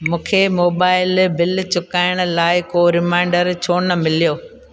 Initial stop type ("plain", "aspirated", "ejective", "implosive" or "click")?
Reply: aspirated